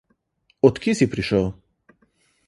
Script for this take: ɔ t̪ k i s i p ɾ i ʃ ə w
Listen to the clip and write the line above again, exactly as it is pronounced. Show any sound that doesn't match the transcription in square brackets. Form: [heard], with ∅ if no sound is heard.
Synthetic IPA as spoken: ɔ t̪ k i s i p ɾ i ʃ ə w